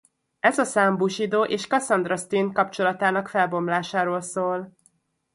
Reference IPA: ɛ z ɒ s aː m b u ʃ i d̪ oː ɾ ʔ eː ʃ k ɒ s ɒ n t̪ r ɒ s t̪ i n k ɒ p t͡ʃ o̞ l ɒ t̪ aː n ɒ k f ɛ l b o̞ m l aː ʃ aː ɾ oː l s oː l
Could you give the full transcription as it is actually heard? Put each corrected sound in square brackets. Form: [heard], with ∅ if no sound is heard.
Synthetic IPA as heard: ɛ z ɒ s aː m b u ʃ i d̪ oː [∅] ʔ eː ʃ k ɒ s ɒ n [d̪] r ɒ s t̪ i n k ɒ p t͡ʃ o̞ l ɒ t̪ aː n ɒ k f ɛ l b o̞ m l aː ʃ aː ɾ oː l s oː l

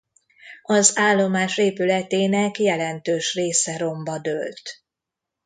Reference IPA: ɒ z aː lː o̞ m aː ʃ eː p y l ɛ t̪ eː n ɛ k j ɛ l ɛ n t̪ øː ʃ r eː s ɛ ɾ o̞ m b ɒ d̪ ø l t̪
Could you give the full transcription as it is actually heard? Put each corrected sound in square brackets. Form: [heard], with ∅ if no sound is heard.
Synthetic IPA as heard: ɒ z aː lː o̞ m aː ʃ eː p y l ɛ t̪ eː n ɛ k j ɛ l ɛ n t̪ øː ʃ r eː s ɛ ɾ o̞ m b ɒ d̪ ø l t̪

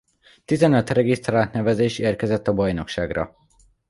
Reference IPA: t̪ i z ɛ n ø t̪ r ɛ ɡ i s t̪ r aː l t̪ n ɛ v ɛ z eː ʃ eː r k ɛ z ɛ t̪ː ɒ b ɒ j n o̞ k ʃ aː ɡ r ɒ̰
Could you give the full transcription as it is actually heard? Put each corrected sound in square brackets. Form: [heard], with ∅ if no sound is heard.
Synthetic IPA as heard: t̪ i z ɛ n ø t̪ r ɛ ɡ i s t̪ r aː l t̪ n ɛ v ɛ z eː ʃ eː r k ɛ z ɛ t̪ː ɒ b ɒ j n o̞ k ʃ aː ɡ r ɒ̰

